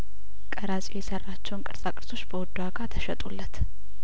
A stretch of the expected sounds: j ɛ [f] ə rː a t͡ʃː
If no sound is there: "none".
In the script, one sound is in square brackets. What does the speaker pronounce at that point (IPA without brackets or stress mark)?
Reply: s